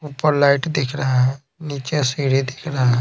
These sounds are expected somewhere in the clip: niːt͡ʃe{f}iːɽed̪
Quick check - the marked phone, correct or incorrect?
incorrect